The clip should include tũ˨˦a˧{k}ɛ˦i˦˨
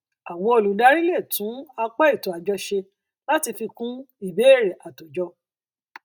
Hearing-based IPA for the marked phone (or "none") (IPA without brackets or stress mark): k͡p